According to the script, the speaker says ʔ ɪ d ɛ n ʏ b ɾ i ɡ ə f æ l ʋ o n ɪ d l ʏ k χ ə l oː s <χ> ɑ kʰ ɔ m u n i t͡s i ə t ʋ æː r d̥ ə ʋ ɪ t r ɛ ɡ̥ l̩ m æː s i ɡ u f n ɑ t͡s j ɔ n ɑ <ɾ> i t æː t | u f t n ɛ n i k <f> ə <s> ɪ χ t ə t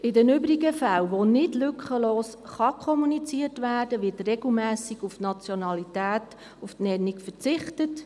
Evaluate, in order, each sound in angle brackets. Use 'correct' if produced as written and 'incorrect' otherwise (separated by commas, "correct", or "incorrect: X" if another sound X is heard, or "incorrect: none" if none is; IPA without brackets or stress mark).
correct, incorrect: l, correct, incorrect: t͡s